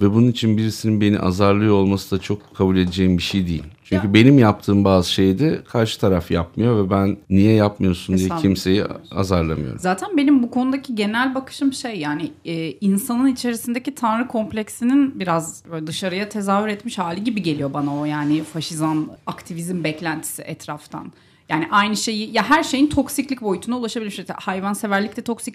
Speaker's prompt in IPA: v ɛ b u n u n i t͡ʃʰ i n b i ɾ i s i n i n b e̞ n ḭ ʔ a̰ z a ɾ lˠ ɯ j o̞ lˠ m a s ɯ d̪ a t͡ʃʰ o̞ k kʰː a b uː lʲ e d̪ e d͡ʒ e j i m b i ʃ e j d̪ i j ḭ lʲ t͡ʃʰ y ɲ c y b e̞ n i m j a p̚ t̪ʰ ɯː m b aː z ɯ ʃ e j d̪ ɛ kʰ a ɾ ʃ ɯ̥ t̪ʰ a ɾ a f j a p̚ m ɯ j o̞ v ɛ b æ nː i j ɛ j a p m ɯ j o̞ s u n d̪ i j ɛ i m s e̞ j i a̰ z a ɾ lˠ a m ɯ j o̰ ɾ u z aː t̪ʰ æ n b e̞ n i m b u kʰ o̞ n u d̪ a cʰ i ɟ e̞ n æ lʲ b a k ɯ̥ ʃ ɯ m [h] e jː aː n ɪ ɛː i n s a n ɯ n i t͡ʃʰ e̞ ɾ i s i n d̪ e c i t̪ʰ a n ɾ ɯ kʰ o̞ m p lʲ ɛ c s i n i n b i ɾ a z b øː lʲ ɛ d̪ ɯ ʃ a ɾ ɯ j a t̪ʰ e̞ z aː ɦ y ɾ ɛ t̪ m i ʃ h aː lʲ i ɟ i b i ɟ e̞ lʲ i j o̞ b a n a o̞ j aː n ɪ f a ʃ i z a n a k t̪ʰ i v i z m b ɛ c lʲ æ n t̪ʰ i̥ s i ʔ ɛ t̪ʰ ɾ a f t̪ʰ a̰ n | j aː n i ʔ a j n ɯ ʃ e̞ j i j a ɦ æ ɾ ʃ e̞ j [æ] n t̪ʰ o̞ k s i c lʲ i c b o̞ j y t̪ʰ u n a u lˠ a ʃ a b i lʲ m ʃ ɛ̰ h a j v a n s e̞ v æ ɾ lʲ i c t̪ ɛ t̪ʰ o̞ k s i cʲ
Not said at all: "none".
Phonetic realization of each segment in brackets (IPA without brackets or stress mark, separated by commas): ʃ, i